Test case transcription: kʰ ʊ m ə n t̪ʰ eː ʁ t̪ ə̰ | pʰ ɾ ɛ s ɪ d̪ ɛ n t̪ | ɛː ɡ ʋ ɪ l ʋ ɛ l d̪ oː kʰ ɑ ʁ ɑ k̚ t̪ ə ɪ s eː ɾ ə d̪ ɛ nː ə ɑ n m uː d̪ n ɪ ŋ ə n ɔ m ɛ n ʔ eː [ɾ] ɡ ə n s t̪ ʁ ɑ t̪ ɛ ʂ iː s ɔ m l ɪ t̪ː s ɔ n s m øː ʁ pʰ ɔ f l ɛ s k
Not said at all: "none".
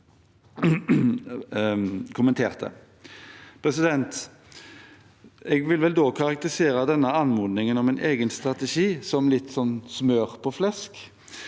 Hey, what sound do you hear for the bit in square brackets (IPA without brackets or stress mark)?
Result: none